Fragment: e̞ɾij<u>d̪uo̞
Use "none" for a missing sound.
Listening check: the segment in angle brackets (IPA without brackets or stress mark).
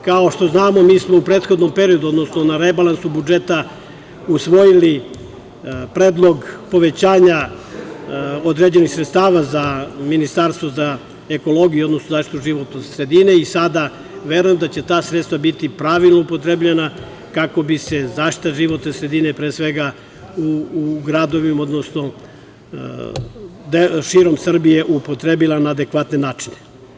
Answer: o